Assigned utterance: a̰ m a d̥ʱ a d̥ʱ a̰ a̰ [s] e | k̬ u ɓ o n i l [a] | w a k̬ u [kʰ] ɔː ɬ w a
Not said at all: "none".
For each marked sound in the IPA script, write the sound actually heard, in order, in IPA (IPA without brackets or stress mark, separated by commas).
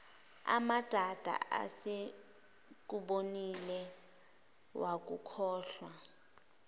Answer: s, ɛ, kʰ